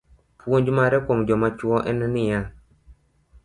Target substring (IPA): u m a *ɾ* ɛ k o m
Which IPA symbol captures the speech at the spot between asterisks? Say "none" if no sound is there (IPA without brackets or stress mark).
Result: ɾ